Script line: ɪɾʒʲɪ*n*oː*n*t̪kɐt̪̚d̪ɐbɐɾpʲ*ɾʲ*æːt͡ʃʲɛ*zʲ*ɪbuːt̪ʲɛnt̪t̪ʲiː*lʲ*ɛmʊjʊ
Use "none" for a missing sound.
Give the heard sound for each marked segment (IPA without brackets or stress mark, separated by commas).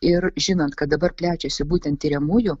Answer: n, n, lʲ, sʲ, ɾʲ